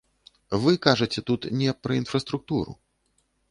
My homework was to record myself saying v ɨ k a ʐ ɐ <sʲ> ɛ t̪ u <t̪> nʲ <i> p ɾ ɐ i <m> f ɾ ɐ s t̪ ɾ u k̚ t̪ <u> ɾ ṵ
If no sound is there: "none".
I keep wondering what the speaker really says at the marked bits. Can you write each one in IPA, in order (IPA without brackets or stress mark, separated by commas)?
t͡sʲ, t̪, ɛ, n, u